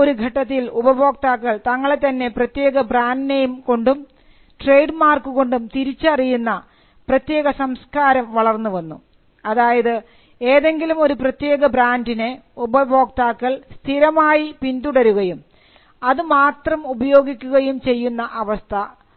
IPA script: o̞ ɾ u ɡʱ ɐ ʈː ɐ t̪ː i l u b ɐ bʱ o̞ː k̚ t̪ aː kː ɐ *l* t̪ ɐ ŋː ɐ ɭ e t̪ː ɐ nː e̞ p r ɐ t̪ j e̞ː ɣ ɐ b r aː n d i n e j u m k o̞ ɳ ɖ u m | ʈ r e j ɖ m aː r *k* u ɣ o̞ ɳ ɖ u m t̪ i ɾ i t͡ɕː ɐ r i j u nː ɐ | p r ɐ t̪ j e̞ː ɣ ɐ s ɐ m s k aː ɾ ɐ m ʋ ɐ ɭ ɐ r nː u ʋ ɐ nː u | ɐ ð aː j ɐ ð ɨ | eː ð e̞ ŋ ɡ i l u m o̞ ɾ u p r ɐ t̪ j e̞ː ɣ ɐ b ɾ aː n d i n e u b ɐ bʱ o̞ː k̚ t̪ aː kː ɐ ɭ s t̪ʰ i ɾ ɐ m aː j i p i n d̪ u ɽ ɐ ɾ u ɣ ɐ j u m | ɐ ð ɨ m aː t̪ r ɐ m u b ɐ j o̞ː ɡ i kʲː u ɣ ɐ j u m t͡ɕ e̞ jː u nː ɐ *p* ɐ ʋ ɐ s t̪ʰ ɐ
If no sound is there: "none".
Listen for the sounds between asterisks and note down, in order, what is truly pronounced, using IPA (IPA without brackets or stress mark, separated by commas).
ɭ, k, ʔ